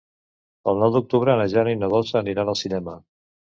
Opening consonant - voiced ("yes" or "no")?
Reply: yes